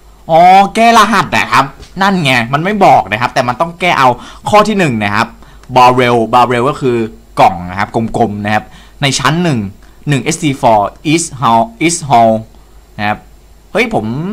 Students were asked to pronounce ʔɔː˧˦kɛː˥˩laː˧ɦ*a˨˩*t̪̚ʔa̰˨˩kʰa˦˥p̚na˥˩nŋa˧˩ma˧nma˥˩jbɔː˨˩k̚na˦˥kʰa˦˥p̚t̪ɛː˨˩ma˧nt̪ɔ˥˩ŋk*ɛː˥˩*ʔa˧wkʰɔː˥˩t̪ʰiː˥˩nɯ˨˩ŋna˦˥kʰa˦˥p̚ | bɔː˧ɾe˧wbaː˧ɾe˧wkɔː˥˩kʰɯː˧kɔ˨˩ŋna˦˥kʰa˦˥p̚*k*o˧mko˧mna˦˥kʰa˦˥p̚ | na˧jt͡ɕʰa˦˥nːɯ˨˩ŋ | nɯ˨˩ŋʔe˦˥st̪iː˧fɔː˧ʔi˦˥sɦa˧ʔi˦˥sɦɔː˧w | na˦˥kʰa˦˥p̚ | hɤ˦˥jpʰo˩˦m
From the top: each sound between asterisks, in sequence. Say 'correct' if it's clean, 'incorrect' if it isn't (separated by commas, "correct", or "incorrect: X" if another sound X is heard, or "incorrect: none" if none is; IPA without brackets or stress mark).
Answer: correct, correct, correct